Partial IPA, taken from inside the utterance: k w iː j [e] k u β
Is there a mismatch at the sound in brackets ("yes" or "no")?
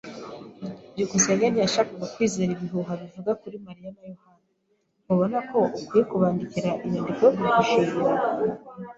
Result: no